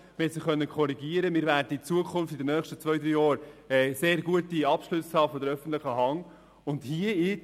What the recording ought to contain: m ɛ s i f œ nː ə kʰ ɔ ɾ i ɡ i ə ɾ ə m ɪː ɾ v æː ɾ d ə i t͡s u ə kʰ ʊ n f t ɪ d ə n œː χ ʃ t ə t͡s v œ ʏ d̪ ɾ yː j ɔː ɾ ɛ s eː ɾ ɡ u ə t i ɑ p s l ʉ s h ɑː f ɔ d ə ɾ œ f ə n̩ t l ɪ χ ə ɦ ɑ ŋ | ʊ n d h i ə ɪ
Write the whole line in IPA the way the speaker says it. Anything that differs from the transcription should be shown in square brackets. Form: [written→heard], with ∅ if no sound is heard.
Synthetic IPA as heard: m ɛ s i [f→χ] œ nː ə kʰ ɔ ɾ i ɡ i ə ɾ ə m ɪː ɾ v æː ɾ d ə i t͡s u ə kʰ ʊ n f t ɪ d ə n œː χ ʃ t ə t͡s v œ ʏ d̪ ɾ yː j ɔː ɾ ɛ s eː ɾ ɡ u ə t i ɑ p [s→ʃ] l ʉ s h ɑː f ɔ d ə ɾ œ f ə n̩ t l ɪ χ ə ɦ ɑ ŋ | ʊ n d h i ə ɪ